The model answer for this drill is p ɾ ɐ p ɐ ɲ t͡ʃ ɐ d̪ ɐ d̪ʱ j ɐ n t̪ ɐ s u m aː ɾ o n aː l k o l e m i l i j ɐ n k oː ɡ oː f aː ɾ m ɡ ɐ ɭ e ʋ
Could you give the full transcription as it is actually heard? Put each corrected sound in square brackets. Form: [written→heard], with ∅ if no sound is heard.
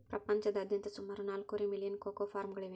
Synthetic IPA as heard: p ɾ ɐ p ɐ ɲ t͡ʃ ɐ d̪ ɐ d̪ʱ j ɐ n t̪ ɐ s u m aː ɾ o n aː l k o [l→ɾ] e m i l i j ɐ n k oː [ɡ→k] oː f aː ɾ m ɡ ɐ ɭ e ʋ